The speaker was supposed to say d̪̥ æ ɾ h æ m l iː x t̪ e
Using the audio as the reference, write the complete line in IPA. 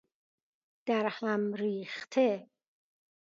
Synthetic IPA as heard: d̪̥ æ ɾ h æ m ɾ iː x t̪ʰ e